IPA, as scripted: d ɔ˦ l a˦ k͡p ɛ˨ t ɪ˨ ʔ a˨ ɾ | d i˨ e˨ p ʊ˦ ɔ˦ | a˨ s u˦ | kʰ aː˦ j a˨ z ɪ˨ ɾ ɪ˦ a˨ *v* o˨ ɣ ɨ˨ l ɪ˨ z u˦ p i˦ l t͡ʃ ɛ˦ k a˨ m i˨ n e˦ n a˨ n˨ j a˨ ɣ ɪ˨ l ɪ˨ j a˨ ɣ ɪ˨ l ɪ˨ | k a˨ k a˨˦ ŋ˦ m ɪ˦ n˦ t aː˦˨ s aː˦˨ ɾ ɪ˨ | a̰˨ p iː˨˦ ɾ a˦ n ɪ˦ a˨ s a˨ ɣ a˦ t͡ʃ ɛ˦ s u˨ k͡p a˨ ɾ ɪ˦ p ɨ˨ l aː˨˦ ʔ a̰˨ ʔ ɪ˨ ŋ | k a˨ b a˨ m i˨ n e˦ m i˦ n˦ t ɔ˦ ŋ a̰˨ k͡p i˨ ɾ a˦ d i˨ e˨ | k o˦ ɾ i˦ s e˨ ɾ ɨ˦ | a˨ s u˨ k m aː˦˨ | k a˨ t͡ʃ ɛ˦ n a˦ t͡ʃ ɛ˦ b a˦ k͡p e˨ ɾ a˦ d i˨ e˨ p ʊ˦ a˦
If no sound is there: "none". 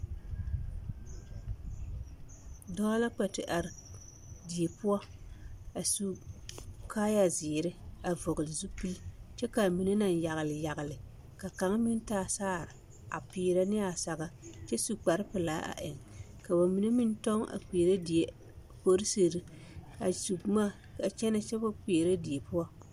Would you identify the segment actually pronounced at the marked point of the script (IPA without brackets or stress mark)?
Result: v